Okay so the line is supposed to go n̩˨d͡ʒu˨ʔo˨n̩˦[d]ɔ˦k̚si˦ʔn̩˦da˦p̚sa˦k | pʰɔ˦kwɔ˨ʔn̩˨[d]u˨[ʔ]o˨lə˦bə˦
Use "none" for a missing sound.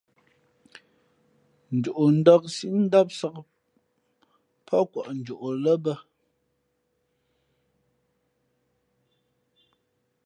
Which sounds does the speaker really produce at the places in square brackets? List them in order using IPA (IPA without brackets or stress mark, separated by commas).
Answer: d, d͡ʒ, ʔ